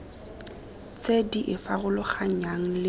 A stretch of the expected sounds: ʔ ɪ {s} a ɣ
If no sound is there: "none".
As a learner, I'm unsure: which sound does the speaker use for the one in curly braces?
f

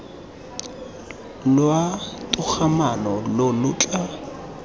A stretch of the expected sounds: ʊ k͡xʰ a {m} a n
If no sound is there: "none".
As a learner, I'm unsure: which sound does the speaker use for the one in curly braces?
m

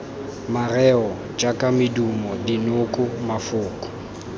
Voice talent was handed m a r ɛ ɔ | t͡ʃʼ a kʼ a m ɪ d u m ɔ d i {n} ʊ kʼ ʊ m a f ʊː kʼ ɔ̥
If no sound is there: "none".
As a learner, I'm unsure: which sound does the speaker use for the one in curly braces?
n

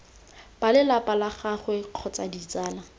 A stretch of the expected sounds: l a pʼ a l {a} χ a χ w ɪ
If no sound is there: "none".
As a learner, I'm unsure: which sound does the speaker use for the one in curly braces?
a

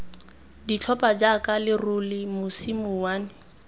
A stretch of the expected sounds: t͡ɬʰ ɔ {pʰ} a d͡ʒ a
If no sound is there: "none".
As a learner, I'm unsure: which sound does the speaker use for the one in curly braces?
p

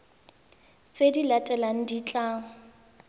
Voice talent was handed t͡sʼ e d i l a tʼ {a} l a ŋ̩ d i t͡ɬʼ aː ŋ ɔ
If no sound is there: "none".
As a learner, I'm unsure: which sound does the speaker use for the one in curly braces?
ɛ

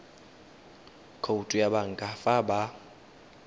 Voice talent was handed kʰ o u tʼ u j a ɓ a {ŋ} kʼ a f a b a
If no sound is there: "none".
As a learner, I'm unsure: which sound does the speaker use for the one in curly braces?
ŋ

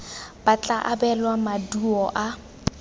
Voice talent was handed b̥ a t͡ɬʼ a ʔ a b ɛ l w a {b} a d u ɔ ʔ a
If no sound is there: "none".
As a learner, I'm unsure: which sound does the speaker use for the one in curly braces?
m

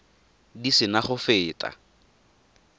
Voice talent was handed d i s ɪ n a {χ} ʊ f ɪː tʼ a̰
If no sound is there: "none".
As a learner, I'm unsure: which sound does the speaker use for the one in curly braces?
χ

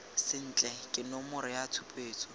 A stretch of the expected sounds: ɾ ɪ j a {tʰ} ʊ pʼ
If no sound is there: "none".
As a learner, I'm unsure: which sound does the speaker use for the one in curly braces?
tʰ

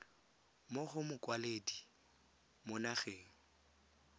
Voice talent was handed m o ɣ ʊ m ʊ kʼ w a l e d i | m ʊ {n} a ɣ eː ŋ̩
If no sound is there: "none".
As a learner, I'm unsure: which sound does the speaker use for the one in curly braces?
n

